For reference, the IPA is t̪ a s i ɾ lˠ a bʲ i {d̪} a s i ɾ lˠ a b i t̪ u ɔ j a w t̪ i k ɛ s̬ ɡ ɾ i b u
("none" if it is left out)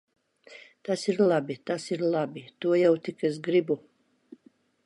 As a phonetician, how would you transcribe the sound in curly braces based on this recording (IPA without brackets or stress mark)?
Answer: t̪